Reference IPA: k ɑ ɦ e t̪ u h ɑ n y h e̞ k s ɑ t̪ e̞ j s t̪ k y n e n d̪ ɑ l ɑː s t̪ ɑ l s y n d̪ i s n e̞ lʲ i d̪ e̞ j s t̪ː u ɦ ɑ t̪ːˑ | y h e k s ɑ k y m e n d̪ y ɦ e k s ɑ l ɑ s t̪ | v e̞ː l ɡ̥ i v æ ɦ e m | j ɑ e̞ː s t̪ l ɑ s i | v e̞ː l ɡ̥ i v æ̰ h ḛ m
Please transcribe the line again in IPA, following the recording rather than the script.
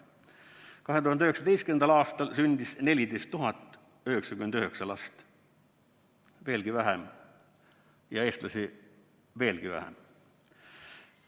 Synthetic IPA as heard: k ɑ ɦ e t̪ u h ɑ n y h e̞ k s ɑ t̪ e̞ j s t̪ k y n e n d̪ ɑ l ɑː s t̪ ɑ l s y n d̪ i s n e̞ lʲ i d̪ e̞ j s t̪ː u ɦ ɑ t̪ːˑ | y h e k s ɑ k y m e n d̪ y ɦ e k s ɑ l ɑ s t̪ | v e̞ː l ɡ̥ i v æ ɦ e m | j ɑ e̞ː s t̪ l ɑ s i | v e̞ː l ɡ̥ i v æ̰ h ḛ m